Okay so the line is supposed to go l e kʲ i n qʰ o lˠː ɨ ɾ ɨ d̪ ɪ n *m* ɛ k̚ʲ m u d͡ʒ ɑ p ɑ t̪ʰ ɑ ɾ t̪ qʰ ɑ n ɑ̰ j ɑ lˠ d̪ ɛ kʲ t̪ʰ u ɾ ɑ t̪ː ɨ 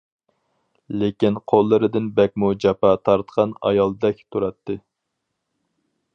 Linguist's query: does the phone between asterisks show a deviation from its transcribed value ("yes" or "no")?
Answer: yes